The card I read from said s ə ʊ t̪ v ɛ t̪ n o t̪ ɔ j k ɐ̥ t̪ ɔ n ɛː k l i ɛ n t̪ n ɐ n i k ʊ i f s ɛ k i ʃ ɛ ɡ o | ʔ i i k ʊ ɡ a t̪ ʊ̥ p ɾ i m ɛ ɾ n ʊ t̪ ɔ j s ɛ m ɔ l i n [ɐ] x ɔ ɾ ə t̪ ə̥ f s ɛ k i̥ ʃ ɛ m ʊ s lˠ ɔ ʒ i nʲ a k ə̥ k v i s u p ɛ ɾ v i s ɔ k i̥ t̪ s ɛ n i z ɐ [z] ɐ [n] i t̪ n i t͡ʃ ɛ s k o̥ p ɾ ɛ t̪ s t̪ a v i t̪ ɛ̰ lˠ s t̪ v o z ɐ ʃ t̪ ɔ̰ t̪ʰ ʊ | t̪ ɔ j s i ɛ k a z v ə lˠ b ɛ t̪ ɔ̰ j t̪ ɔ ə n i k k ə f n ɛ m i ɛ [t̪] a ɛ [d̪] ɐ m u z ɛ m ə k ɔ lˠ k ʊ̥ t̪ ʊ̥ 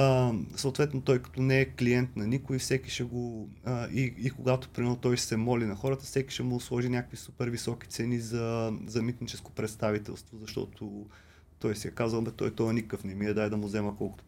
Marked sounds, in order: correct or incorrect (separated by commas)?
correct, correct, incorrect, incorrect, correct